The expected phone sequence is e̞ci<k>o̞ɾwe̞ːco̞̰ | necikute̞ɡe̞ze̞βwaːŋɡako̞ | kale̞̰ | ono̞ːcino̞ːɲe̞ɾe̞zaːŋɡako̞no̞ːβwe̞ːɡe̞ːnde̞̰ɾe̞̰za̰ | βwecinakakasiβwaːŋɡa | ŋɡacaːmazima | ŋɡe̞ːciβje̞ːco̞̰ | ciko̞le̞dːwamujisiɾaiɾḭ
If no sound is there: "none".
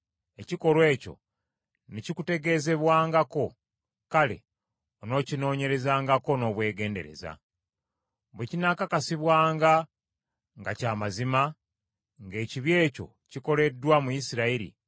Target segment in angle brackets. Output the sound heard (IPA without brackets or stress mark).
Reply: k